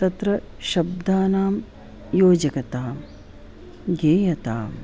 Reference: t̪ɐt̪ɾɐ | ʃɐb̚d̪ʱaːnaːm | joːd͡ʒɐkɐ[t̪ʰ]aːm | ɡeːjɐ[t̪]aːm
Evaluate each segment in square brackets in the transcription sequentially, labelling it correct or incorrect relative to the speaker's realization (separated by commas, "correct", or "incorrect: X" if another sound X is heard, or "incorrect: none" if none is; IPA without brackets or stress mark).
incorrect: t̪, correct